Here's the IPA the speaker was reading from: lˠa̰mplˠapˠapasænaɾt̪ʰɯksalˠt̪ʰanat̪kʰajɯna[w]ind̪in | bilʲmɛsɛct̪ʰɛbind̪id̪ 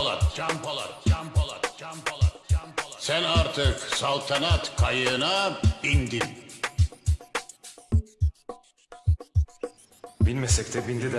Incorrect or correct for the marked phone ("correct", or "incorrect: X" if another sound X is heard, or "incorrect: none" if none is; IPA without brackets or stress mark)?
incorrect: b